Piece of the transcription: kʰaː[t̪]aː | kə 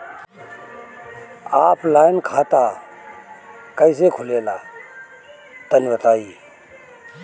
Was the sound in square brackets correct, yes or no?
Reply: yes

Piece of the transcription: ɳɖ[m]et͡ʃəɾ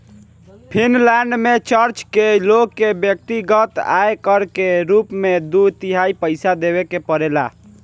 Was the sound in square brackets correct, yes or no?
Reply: yes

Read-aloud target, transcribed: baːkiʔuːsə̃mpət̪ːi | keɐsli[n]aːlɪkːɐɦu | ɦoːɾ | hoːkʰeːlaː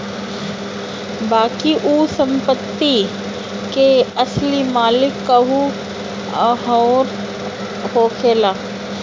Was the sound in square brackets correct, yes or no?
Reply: no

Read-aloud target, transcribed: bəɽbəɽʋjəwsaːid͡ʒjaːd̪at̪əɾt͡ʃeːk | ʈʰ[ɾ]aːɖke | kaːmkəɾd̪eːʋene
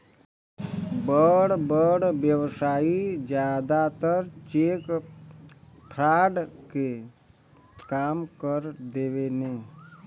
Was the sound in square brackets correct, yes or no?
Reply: yes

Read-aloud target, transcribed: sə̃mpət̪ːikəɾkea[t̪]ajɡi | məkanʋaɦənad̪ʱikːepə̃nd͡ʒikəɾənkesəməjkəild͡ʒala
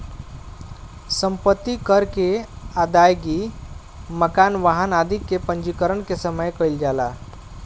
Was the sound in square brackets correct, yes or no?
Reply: no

